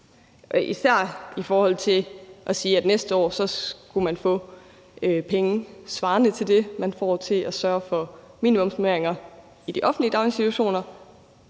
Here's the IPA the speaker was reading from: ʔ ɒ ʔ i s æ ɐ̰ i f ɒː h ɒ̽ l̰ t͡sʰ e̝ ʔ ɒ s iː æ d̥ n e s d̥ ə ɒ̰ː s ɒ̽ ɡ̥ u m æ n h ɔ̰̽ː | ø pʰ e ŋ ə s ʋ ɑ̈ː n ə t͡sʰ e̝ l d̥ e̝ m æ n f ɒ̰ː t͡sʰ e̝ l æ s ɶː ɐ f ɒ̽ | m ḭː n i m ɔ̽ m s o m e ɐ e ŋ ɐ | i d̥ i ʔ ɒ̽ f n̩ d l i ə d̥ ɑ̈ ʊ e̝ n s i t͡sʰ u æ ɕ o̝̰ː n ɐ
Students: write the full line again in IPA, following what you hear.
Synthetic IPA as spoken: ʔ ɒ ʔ i s æ ɐ̰ i f ɒː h ɒ̽ l̰ t͡sʰ e̝ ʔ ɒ s iː æ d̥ n e s d̥ ə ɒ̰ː s ɒ̽ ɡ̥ u m æ n f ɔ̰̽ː | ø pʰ e ŋ ə s ʋ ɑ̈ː n ə t͡sʰ e̝ l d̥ e̝ m æ n f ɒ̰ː t͡sʰ e̝ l æ s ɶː ɐ f ɒ̽ | m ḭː n i m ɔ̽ m s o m e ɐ e ŋ ɐ | i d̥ i ʔ ɒ̽ f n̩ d l i ə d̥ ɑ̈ ʊ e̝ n s i t͡sʰ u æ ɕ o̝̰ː n ɐ